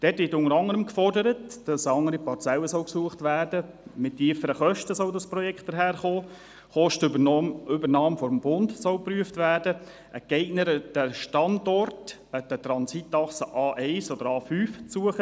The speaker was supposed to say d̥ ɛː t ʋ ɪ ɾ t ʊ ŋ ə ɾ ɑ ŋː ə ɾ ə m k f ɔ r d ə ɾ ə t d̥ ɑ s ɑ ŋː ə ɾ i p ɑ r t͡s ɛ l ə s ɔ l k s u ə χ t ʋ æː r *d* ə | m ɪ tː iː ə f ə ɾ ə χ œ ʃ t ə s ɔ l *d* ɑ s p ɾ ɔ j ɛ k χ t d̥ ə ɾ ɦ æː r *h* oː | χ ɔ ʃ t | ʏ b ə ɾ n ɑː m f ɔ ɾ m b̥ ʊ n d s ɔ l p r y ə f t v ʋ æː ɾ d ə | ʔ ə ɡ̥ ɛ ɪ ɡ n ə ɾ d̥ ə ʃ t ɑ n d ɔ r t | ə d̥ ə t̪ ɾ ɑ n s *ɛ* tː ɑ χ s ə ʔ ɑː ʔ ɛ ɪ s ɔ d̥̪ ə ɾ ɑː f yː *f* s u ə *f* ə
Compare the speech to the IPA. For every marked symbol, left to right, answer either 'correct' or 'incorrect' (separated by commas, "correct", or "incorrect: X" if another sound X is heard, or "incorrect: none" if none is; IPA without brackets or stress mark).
correct, correct, incorrect: χ, incorrect: i, correct, incorrect: χ